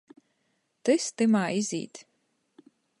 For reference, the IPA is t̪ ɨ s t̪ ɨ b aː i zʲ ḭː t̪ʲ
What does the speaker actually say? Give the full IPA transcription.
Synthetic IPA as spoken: t̪ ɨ s t̪ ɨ m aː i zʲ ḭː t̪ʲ